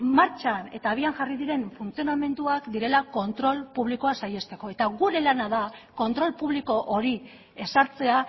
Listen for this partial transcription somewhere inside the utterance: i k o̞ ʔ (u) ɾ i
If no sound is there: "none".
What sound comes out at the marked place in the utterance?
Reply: o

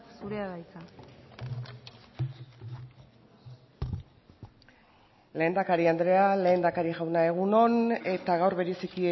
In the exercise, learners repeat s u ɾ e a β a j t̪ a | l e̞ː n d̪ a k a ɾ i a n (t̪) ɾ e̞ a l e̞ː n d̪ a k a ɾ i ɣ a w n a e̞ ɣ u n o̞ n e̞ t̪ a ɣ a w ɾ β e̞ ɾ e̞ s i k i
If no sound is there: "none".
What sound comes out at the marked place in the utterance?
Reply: d̪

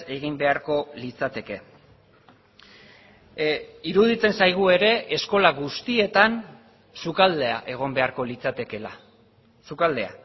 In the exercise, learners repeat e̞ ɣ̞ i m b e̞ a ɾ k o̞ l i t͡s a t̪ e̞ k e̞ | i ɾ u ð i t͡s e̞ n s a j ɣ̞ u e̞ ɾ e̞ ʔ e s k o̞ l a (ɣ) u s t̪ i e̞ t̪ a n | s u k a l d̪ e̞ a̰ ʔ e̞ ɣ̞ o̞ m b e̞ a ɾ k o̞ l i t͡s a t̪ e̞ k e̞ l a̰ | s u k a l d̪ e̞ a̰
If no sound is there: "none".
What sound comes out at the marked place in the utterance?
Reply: ɣ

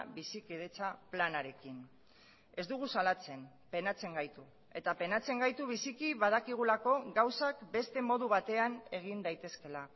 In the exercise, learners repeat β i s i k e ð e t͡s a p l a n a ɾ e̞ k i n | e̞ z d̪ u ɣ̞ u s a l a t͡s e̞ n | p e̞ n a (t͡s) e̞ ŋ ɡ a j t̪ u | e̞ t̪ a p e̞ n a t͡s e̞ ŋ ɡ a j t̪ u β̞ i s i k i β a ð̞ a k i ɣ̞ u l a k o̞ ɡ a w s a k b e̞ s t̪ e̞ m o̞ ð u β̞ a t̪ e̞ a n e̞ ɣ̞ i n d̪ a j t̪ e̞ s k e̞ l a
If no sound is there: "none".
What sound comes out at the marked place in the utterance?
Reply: t͡s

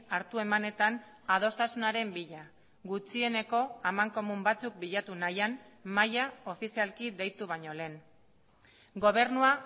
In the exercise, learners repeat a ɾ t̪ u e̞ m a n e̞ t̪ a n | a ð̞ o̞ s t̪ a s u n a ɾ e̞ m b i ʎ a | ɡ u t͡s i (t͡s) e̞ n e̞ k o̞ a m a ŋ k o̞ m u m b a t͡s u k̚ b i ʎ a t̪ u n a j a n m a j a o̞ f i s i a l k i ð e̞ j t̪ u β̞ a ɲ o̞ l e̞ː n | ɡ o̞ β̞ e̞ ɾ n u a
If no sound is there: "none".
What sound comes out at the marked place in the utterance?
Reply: none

